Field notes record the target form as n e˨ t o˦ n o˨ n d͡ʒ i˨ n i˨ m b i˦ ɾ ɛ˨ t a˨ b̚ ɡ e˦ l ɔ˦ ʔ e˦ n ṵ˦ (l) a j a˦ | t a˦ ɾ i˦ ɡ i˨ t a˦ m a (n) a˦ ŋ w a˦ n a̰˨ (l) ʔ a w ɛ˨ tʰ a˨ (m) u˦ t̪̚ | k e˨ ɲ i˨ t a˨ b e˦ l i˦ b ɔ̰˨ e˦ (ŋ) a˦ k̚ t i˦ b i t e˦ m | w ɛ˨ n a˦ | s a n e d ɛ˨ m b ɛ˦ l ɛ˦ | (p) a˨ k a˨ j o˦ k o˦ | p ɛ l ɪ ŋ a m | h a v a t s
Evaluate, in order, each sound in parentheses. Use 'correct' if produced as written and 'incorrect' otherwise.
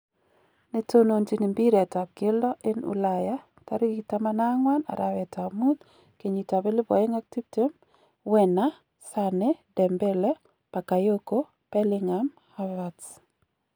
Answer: correct, correct, incorrect, correct, correct, correct

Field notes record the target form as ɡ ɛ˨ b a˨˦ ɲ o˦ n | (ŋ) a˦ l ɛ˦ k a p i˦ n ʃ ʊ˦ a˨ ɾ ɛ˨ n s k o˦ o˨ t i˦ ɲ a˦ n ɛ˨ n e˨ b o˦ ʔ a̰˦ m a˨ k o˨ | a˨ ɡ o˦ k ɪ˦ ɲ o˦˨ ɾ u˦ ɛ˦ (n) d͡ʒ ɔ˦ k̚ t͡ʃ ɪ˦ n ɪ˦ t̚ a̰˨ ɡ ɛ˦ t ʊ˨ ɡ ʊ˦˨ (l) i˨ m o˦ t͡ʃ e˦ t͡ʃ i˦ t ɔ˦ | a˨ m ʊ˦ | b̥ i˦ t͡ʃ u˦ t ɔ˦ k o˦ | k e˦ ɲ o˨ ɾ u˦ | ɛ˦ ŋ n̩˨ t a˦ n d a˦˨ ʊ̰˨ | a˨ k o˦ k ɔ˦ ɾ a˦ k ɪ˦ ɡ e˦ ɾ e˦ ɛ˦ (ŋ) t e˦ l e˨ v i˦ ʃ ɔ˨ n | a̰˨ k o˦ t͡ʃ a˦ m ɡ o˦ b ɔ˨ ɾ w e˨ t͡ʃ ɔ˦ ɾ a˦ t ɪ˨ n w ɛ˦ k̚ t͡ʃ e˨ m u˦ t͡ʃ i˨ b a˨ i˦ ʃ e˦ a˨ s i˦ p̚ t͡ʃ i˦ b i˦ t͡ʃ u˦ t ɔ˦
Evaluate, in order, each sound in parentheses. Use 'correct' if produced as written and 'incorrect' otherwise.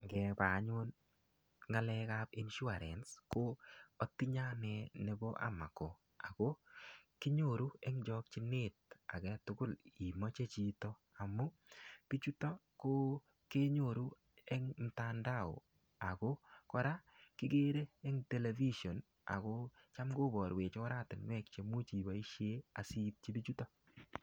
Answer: correct, incorrect, correct, correct

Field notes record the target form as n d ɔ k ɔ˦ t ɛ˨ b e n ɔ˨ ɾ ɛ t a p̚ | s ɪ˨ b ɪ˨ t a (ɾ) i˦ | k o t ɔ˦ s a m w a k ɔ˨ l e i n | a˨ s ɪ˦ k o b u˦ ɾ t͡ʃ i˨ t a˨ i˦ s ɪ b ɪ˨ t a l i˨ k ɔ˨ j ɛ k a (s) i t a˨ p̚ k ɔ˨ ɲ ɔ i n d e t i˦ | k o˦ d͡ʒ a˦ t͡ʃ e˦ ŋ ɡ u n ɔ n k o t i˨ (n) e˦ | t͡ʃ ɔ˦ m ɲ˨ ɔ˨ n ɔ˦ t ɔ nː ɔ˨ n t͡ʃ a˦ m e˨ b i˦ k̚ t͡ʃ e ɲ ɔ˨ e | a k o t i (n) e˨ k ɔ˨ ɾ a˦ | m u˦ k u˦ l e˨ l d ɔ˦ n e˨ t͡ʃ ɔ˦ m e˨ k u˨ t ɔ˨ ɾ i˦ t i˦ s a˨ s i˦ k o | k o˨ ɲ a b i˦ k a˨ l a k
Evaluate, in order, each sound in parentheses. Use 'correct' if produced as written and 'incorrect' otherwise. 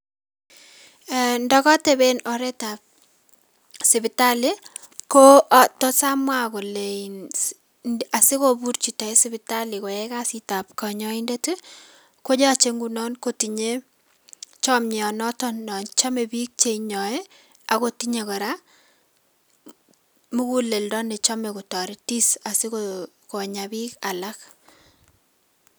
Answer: incorrect, correct, incorrect, incorrect

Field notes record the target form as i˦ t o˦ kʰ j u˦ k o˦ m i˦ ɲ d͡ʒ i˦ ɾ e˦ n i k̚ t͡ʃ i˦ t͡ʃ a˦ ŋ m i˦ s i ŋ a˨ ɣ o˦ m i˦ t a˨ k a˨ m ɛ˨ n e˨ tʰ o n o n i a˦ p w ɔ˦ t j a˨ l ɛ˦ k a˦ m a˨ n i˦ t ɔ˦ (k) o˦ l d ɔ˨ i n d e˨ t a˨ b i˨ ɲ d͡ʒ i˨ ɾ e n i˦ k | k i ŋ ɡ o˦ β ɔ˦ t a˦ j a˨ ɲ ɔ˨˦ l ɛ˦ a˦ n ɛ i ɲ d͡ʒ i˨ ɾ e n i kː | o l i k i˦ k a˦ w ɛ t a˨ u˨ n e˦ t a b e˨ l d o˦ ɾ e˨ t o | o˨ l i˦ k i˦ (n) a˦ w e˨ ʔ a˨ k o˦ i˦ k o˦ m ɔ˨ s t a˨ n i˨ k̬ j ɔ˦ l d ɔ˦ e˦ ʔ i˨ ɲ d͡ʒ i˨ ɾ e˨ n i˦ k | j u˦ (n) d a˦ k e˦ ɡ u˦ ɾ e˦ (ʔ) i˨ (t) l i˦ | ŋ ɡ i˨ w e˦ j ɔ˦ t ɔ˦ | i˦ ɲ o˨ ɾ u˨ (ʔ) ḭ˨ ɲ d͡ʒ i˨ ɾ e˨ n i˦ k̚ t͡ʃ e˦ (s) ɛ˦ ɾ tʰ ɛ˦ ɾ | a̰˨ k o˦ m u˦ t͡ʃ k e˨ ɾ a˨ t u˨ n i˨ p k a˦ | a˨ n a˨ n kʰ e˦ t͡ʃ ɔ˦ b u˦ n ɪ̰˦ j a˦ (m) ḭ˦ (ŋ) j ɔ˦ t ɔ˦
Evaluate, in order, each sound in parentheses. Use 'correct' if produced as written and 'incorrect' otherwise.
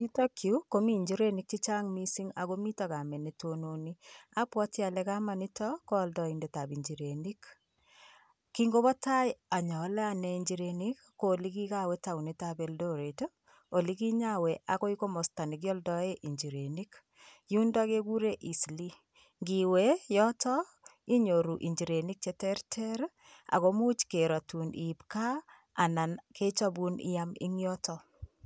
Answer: correct, incorrect, correct, correct, incorrect, correct, incorrect, correct, correct

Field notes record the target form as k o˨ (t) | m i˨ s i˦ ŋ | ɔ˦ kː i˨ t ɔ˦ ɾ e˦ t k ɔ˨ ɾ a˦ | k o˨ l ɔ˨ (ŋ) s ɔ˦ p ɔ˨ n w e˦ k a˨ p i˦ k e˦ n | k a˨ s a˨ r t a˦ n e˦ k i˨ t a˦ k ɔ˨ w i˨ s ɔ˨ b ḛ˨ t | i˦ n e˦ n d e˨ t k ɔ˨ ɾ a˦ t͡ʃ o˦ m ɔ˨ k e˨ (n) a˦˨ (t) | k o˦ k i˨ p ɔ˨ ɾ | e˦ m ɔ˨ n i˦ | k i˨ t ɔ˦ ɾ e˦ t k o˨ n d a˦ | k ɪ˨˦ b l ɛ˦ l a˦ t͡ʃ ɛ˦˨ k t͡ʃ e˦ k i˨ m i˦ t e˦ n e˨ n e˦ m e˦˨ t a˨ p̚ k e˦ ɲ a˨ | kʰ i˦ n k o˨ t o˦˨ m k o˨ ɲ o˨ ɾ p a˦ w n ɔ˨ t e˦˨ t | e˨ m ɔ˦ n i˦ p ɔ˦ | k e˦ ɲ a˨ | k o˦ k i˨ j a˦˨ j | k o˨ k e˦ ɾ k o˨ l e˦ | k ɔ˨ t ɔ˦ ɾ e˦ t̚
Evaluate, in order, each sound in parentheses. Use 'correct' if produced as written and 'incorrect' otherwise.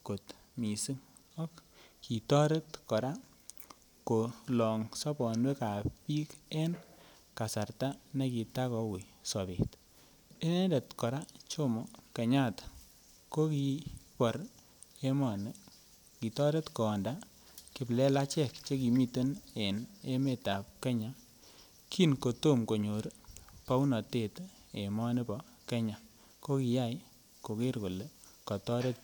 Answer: correct, correct, incorrect, correct

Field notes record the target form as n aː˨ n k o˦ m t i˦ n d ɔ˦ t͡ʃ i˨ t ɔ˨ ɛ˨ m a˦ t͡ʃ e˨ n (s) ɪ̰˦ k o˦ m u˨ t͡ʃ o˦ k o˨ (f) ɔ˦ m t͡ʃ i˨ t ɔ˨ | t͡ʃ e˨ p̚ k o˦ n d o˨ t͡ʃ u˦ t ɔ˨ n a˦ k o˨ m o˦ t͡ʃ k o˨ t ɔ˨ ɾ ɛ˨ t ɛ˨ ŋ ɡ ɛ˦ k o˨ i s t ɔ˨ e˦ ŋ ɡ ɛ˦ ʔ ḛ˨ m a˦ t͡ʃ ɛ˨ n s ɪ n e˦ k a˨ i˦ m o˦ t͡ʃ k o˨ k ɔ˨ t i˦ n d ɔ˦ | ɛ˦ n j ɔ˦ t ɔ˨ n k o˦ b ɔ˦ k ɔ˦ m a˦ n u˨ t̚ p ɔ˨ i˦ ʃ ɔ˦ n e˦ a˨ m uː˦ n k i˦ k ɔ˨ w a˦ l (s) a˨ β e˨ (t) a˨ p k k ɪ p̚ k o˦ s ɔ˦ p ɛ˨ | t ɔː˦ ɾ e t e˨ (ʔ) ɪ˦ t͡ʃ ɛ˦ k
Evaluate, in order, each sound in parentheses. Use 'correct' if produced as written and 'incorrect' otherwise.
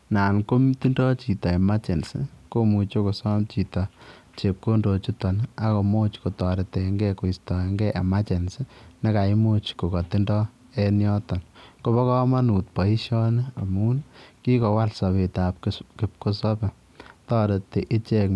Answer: correct, incorrect, correct, correct, correct

